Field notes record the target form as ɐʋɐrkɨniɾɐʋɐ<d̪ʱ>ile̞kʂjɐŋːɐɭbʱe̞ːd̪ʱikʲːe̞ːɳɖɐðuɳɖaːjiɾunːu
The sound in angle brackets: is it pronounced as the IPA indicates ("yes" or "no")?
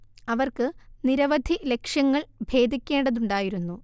yes